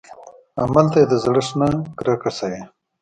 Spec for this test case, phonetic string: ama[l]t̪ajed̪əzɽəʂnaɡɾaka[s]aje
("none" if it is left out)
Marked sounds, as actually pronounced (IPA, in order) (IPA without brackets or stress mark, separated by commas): l, s